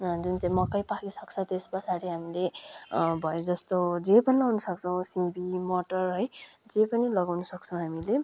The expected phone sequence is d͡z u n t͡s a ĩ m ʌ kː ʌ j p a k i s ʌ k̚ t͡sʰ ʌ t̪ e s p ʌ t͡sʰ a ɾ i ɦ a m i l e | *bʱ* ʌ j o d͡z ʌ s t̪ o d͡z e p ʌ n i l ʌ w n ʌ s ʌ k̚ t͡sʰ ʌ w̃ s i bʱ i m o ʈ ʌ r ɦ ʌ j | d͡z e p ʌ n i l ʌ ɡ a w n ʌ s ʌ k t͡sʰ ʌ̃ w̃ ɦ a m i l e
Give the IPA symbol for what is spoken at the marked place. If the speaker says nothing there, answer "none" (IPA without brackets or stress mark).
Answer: bʱ